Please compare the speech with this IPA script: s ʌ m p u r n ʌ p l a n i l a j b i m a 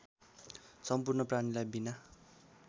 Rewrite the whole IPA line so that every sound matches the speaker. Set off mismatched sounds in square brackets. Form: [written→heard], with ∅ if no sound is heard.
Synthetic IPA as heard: s ʌ m p u r n ʌ p [l→r] a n i l a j b i [m→n] a